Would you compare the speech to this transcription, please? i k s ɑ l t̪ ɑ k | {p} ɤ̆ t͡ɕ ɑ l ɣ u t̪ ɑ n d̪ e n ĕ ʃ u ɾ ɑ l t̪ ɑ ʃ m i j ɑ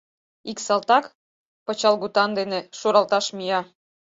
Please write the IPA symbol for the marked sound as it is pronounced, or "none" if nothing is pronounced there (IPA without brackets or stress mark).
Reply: p